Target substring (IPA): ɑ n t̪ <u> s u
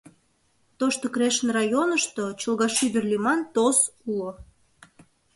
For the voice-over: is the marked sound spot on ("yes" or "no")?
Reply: no